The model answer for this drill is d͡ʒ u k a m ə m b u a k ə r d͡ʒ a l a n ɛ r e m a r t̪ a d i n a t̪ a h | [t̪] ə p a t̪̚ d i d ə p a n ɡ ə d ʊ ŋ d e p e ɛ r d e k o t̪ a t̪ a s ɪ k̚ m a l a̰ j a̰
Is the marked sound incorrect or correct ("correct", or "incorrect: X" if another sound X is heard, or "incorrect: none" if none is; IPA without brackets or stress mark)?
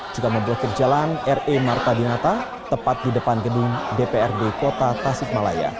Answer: correct